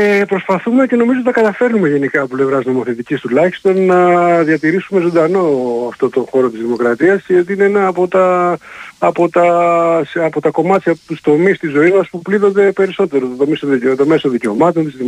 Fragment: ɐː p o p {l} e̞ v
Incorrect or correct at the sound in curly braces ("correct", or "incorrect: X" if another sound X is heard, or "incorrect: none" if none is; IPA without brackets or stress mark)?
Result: correct